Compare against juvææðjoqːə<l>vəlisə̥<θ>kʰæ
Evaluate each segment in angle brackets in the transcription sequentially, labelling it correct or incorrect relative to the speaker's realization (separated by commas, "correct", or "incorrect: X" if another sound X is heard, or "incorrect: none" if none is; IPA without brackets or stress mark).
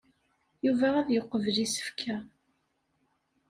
incorrect: none, incorrect: f